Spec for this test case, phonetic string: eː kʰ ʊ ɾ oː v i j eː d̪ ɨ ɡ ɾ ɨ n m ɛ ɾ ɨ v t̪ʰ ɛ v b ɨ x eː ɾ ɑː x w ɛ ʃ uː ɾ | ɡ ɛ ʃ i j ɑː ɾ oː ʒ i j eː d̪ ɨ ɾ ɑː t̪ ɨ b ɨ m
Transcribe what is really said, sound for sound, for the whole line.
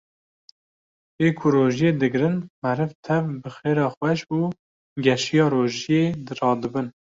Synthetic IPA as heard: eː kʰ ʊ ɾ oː ʒ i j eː d̪ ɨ ɡ ɾ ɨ n m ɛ ɾ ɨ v t̪ʰ ɛ v b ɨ x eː ɾ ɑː x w ɛ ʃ uː | ɡ ɛ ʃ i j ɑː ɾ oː ʒ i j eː d̪ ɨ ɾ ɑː d̪ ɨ b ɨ n